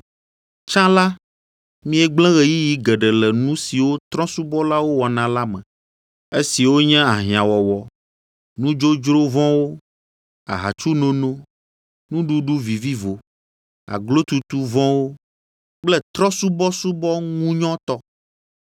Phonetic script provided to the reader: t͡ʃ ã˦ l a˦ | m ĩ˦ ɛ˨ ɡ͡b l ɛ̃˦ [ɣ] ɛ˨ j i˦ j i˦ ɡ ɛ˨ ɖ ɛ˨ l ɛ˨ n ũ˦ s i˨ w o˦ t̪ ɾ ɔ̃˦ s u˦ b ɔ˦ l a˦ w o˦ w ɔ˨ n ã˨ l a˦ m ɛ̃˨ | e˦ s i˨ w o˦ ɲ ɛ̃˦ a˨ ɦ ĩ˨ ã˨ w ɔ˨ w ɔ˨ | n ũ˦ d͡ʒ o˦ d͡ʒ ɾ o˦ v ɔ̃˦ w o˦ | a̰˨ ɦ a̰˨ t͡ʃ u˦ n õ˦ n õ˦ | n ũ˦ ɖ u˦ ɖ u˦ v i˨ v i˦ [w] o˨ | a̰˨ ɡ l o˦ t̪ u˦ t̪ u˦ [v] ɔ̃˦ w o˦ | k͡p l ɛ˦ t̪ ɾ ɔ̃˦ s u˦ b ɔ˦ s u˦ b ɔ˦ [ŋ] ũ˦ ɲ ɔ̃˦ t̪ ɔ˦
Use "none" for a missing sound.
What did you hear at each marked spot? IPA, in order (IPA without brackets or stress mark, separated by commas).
ɣ, v, v, ŋ